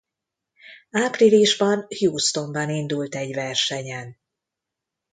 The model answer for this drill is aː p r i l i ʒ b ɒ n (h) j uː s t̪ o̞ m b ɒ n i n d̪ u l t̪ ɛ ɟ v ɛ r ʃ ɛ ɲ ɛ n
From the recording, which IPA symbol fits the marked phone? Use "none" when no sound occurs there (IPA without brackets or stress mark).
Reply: h